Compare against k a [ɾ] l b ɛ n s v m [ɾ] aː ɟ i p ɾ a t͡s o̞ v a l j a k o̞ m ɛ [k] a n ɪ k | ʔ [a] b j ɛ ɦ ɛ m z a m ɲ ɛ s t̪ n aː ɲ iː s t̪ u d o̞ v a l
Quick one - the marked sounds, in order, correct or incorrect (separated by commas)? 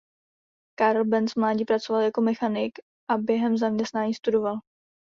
correct, incorrect, incorrect, correct